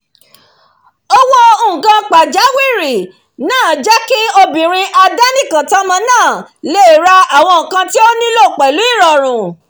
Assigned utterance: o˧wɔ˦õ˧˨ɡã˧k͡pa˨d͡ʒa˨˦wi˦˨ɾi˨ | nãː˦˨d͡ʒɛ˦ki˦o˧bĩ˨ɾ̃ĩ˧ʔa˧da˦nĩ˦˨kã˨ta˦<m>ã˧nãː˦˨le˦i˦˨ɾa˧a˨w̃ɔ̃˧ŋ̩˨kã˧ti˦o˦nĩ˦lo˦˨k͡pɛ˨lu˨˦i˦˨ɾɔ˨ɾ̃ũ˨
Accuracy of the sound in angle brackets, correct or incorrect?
correct